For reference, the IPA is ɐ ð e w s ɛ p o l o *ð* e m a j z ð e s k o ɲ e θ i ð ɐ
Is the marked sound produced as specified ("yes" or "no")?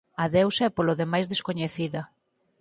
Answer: yes